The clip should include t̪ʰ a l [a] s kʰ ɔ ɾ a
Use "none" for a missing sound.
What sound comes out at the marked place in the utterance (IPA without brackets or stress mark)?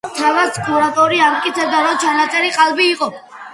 a